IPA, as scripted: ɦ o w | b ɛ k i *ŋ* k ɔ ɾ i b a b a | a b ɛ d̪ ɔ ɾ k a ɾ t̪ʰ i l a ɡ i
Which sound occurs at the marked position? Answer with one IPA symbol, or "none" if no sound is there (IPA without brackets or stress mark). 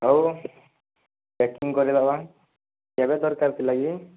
ŋ